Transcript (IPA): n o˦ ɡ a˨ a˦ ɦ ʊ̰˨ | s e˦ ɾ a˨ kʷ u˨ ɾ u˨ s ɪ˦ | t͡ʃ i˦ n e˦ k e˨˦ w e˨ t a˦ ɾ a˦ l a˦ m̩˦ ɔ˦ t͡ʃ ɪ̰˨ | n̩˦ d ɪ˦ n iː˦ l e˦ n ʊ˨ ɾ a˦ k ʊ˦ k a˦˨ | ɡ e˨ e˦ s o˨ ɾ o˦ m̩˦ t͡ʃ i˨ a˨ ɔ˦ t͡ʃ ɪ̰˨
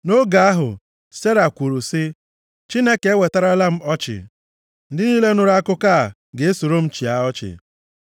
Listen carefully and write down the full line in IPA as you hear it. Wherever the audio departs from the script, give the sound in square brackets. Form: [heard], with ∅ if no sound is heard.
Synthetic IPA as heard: n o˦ ɡ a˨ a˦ ɦ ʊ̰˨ | s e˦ ɾ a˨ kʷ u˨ ɾ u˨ s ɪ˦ | t͡ʃ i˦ n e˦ k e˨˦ w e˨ t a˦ ɾ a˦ l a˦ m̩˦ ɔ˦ t͡ʃ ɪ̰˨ | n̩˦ d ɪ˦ n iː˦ l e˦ n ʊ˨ ɾ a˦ k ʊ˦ k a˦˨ | ɡ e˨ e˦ s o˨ ɾ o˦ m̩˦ t͡ʃ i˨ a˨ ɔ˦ t͡ʃ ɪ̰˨